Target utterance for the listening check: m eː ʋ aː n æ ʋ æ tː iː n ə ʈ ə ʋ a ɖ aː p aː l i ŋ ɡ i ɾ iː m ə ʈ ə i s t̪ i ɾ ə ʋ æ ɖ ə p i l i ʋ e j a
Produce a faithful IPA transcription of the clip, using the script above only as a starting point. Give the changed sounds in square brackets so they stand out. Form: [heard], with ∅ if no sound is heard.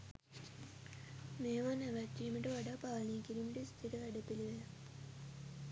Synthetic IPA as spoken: m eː ʋ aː n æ ʋ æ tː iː [m] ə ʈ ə ʋ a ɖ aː p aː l i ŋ [k] i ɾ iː m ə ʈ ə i s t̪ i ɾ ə ʋ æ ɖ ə p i l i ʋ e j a